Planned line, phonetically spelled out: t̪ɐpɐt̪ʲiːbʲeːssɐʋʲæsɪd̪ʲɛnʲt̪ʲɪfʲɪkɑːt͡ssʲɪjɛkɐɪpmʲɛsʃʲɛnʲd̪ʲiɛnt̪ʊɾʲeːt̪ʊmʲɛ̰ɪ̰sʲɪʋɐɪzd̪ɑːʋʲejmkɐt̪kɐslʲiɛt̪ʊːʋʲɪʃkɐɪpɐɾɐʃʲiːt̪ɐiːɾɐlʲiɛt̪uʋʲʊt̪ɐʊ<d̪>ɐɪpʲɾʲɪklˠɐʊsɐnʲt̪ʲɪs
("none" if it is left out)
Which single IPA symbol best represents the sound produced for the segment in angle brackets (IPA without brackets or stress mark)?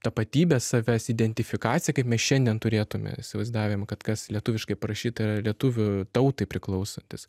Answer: t̪